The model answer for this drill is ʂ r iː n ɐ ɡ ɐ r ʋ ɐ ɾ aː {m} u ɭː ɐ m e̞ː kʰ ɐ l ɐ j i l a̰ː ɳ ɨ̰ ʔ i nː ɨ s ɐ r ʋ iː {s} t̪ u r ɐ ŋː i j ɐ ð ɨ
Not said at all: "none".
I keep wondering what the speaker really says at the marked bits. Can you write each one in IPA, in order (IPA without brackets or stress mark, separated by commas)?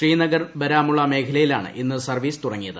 m, s